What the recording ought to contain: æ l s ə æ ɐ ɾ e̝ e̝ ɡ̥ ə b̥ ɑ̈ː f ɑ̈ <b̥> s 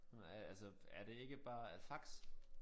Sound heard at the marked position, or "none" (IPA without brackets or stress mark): ɡ̥